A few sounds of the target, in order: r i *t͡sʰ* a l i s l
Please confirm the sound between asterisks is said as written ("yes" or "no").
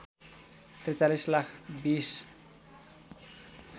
no